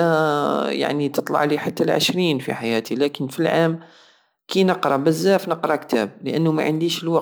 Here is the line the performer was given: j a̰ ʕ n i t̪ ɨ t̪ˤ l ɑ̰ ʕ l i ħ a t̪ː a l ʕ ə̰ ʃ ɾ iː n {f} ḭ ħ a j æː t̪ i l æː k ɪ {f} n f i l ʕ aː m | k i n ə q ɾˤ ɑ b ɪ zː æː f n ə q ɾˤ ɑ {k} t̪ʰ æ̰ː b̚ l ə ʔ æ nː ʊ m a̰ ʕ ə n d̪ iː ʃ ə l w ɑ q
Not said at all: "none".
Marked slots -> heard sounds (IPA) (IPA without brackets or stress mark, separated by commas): f, none, k